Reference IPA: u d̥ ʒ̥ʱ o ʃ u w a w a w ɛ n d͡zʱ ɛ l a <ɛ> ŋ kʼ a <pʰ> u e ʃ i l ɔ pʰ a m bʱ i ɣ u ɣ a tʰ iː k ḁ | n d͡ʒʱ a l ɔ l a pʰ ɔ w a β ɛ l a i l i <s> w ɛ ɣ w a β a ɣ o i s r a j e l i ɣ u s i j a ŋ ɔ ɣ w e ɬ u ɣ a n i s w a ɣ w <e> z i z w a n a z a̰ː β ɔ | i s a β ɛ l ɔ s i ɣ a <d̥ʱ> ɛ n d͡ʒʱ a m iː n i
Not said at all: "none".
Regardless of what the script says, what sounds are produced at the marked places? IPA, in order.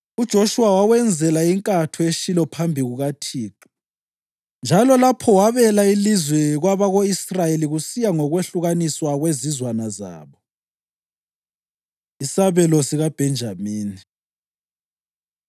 i, tʰ, z, e, b̥ʱ

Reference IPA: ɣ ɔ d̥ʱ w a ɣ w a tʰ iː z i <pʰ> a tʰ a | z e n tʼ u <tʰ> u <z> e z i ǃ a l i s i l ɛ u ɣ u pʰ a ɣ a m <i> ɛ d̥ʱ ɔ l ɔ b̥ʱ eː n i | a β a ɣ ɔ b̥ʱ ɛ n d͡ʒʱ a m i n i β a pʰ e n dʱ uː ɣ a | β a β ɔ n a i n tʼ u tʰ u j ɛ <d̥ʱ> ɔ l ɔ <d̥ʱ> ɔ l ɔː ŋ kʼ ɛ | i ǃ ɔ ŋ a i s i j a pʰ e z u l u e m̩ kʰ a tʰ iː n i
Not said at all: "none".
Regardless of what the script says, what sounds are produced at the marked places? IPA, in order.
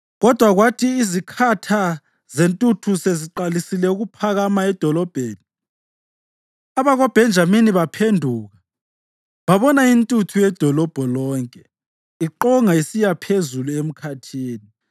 kʰ, tʰ, s, a, d̥ʱ, b̥ʱ

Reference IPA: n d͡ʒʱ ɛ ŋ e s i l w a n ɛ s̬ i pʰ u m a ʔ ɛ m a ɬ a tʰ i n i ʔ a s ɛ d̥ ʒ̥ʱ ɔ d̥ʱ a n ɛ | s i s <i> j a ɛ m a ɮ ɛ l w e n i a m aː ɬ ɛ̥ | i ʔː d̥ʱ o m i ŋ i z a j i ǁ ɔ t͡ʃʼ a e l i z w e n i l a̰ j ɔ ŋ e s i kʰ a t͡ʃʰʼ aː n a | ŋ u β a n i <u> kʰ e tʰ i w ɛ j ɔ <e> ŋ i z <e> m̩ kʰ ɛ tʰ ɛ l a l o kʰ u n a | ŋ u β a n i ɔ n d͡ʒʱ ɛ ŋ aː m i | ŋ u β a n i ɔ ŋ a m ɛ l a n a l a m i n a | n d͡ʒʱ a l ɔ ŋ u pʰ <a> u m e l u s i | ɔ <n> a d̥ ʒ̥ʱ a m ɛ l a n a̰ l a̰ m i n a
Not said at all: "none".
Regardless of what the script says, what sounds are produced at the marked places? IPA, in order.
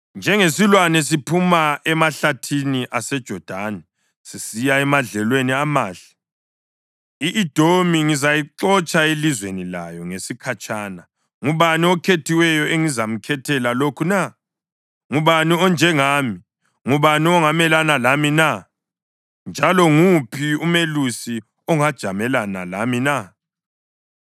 i, ɔ, e, a, i, ŋ

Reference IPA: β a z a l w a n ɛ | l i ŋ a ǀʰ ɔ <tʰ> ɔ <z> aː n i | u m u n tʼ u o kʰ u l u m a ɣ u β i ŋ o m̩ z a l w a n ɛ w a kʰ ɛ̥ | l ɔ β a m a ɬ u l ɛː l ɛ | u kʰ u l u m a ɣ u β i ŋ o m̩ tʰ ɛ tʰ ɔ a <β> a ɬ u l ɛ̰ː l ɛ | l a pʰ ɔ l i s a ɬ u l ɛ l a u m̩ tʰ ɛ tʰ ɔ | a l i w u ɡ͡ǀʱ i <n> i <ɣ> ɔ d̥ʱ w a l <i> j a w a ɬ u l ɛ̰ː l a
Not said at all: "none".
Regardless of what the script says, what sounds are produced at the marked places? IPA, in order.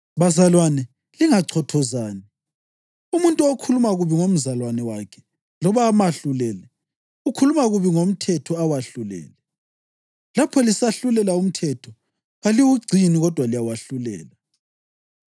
tʰ, z, w, n, ɣ, i

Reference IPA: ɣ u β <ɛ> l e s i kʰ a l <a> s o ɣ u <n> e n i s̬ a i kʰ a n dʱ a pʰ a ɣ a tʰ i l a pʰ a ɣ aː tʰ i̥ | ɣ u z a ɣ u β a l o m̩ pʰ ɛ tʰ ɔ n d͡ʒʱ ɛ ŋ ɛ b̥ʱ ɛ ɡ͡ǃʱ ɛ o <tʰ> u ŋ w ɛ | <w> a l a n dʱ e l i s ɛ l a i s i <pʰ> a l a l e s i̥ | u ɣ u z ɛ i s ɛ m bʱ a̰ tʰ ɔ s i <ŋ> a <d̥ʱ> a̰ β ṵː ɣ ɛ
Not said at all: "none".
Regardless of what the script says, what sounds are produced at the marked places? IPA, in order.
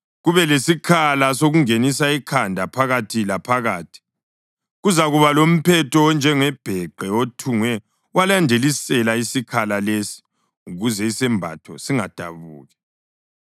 ɛ, a, ŋ, tʰ, w, kʰ, ŋ, d̥ʱ

